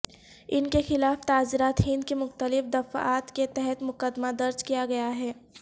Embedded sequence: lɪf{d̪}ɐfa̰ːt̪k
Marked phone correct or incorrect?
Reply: correct